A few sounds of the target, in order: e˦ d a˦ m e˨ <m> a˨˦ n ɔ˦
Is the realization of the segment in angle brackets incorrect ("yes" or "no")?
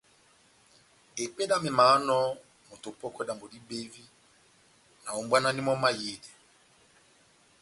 no